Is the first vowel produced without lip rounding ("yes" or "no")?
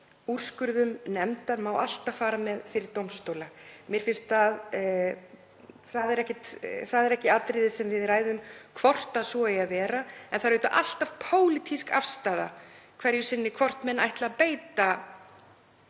no